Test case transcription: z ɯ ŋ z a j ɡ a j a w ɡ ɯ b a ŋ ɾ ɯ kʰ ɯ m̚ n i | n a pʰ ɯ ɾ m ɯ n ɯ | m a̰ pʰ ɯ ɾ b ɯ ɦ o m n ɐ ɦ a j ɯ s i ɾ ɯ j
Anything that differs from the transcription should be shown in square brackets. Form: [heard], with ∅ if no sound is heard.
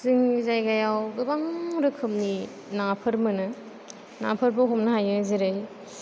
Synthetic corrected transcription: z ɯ ŋ z a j ɡ a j a w ɡ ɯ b a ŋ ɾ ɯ kʰ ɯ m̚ n i | n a pʰ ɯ ɾ m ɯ n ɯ | [n] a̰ pʰ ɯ ɾ b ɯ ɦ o m n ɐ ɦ a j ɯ [z] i ɾ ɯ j

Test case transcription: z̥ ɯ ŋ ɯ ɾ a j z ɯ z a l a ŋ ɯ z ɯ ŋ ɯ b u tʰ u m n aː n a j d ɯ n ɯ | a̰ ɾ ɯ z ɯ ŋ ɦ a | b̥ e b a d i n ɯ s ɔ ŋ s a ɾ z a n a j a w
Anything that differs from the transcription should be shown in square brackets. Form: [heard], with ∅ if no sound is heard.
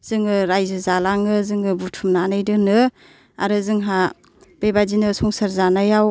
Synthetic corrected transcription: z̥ ɯ ŋ ɯ ɾ a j z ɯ z a l a ŋ ɯ z ɯ ŋ ɯ b u tʰ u m n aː n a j d ɯ n ɯ | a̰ ɾ ɯ z ɯ ŋ ɦ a | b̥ e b a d i n ɯ s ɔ ŋ s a ɾ z a n a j a w

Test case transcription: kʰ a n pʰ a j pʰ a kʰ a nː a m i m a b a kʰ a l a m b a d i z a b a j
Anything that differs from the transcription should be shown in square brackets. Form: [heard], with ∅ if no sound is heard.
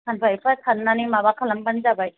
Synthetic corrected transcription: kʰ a n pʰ a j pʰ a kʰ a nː a [n] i m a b a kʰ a l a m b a [n] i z a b a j

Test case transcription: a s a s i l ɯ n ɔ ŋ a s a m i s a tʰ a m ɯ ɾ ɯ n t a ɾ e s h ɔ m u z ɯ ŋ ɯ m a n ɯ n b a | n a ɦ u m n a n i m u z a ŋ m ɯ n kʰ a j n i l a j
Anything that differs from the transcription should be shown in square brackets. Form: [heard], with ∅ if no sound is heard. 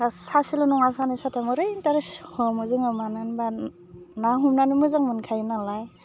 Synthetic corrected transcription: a s a s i l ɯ n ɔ ŋ a s a [n] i s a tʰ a m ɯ ɾ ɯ n t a ɾ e s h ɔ m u z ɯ ŋ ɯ m a n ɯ n b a | n a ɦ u m n a n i m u z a ŋ m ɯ n kʰ a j n [a] l a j

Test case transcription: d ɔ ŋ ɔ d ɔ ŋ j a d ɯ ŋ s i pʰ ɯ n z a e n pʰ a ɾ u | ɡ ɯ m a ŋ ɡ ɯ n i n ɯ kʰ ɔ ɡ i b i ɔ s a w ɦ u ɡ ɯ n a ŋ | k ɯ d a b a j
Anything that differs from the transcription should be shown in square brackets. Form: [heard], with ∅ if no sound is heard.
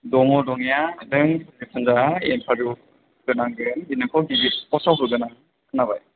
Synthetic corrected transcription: d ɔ ŋ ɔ d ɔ ŋ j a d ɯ ŋ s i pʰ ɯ n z a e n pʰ a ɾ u | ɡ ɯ [n] a ŋ ɡ ɯ n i n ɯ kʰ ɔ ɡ i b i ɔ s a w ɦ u ɡ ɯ n a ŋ | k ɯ [n] a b a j

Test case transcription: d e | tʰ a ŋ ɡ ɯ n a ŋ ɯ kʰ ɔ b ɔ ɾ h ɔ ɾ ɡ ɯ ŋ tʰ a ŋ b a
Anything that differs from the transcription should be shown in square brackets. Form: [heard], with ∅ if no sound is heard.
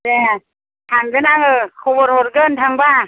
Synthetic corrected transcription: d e | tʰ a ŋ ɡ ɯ n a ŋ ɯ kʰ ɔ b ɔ ɾ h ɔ ɾ ɡ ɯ [n] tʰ a ŋ b a

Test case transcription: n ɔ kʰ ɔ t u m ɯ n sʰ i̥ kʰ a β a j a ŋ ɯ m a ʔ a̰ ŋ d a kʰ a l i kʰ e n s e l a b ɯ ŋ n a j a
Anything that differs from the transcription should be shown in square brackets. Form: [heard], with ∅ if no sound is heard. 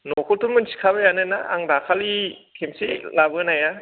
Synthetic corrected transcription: n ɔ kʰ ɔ t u m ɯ n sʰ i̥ kʰ a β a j a [n] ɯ [n] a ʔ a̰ ŋ d a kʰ a l i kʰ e [m] s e l a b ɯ [∅] n a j a

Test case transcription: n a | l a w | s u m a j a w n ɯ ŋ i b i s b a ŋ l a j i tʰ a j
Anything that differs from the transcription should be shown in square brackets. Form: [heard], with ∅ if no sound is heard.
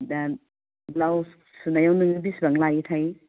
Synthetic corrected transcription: [d] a | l a w | s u [n] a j a w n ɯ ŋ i b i s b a ŋ l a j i tʰ a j

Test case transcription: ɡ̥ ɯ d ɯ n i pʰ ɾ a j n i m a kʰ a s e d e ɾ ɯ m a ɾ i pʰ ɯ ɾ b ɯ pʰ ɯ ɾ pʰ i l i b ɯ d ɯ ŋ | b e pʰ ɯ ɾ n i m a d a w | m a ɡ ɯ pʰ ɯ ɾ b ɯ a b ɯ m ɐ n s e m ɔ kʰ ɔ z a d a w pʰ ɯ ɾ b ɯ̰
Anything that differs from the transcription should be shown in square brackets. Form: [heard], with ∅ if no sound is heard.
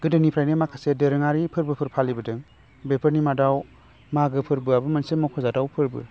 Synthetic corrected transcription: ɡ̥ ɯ d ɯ n i pʰ ɾ a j n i m a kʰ a s e d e ɾ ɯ [ŋ] a ɾ i pʰ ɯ ɾ b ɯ pʰ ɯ ɾ pʰ [a] l i b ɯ d ɯ ŋ | b e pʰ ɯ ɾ n i m a d a w | m a ɡ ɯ pʰ ɯ ɾ b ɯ a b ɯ m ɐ n s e m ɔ kʰ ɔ z a d a w pʰ ɯ ɾ b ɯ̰

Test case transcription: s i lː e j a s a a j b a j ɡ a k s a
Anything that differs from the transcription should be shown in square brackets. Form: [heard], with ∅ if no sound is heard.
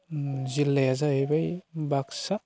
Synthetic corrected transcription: [z] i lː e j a [z] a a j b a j [b] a k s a

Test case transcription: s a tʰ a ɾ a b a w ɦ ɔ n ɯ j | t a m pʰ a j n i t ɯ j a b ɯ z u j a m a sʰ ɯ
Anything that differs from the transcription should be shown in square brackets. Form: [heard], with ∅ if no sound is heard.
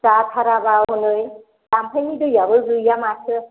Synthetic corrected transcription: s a tʰ a ɾ a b a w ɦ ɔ n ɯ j | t a m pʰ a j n i [d] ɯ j a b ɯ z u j a m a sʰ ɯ

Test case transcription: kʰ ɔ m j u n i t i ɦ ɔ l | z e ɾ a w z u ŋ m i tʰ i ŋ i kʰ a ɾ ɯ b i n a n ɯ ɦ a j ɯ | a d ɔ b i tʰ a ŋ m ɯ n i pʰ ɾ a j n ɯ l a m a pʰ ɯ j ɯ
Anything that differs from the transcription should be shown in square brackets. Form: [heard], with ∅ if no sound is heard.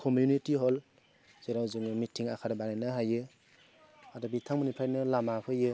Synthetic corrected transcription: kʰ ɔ m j u n i t i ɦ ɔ l | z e ɾ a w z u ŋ m i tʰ i ŋ [a] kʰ a ɾ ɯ b [a] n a n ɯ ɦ a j ɯ | a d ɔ b i tʰ a ŋ m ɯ n i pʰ ɾ a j n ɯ l a m a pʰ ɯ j ɯ

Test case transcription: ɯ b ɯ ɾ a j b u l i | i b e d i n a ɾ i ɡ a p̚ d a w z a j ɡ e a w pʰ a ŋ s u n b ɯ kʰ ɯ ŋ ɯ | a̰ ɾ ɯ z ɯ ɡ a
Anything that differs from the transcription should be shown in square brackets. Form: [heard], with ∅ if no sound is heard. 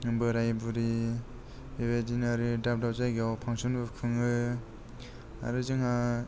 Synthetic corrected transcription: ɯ b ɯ ɾ a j b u [ɾ] i | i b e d i n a ɾ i [d] a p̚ d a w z a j ɡ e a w pʰ a ŋ s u n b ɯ kʰ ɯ ŋ ɯ | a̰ ɾ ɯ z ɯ [ŋ] a

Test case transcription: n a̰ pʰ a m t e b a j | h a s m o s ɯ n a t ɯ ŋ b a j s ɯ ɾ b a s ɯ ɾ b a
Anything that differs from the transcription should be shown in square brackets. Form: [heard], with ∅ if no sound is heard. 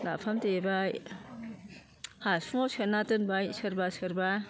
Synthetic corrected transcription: n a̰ pʰ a m t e b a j | h a s m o s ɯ n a t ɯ [n] b a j s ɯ ɾ b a s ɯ ɾ b a

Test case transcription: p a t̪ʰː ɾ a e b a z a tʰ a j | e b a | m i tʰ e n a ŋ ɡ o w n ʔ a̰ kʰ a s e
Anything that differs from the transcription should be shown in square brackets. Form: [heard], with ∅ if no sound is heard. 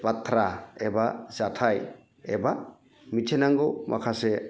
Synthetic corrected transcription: p a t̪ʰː ɾ a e b a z a tʰ a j | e b a | m i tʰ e n a ŋ ɡ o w [m] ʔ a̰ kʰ a s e

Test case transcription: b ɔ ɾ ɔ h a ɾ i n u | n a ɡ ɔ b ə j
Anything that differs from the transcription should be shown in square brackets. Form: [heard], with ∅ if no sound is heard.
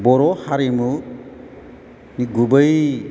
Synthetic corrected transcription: b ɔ ɾ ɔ h a ɾ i [m] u | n [i] ɡ [u] b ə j

